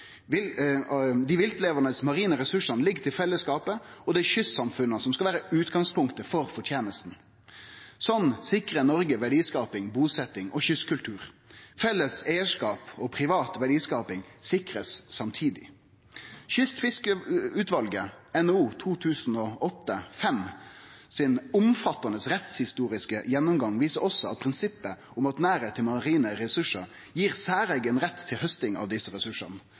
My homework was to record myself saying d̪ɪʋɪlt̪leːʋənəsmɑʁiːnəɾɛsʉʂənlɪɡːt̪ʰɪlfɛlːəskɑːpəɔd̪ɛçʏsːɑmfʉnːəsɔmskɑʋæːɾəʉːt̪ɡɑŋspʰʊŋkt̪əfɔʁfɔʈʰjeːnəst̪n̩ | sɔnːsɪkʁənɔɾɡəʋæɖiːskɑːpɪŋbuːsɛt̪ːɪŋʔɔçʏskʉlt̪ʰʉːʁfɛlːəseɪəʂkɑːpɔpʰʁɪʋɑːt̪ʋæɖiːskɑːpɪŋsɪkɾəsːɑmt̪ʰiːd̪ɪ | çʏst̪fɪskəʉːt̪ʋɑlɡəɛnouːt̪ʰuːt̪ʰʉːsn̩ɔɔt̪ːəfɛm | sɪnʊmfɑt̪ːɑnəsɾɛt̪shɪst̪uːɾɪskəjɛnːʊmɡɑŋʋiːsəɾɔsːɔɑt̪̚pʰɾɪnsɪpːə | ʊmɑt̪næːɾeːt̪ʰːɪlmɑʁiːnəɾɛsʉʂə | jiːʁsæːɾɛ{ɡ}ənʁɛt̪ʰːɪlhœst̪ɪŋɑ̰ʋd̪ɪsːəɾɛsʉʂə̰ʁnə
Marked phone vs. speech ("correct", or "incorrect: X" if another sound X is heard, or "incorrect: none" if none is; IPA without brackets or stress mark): correct